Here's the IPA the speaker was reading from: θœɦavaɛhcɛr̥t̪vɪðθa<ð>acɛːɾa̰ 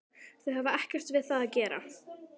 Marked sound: correct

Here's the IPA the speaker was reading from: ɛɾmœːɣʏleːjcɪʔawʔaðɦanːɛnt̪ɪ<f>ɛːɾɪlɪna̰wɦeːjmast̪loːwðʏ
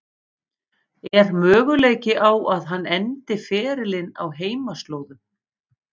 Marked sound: correct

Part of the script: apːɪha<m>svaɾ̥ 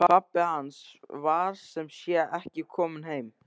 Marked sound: incorrect: n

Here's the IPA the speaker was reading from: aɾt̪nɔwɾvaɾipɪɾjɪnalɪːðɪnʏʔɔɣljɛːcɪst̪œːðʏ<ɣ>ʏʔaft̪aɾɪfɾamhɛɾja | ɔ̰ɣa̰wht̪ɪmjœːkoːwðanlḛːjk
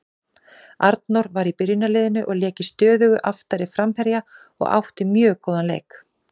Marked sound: correct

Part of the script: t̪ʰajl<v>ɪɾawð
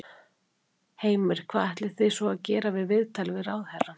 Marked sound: correct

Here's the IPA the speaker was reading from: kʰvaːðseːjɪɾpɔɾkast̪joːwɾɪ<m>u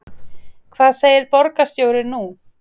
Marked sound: incorrect: n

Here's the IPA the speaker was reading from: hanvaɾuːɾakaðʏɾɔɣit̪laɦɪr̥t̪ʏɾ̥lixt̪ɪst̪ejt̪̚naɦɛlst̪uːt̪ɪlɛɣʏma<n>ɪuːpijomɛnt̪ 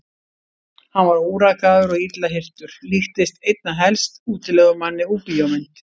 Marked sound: incorrect: nː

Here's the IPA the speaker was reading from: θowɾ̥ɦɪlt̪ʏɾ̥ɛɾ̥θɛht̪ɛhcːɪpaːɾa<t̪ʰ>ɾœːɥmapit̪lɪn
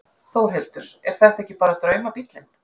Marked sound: incorrect: t̪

